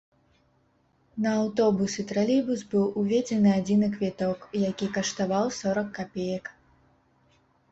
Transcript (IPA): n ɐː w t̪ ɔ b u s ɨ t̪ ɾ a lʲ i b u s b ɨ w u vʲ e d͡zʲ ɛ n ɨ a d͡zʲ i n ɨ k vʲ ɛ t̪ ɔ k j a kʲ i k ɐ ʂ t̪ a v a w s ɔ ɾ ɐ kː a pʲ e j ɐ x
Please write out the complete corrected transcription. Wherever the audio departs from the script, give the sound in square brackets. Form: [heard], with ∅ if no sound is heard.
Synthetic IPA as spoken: n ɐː w t̪ ɔ b u s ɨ t̪ ɾ a lʲ i b u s b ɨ w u vʲ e d͡zʲ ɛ n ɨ a d͡zʲ i n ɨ k vʲ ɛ t̪ ɔ k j a kʲ i k ɐ ʂ t̪ a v a w s ɔ ɾ ɐ kː a pʲ e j ɐ [k]